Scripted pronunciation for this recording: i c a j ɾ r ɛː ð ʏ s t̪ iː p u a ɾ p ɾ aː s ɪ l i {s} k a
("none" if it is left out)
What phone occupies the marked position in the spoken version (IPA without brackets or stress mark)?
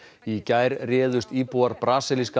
s